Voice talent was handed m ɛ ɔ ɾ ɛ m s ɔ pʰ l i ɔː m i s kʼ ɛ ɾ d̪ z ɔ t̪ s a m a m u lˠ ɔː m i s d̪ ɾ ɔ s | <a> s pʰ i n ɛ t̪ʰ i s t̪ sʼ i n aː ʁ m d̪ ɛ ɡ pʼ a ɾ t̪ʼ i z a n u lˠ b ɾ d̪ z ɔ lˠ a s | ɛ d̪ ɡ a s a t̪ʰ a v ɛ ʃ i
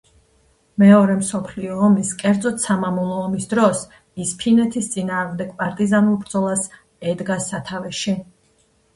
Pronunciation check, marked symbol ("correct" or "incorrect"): incorrect